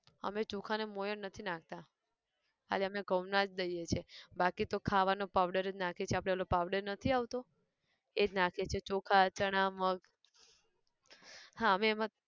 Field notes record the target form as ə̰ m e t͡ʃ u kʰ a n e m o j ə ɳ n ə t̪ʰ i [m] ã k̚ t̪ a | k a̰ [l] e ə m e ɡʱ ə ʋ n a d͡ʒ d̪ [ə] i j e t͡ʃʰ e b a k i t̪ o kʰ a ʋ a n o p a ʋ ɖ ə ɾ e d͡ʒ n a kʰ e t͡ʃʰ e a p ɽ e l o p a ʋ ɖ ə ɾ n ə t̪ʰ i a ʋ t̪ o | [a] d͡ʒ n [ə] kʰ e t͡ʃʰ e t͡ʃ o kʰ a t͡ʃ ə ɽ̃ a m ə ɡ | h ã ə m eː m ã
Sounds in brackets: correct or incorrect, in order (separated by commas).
incorrect, correct, correct, incorrect, incorrect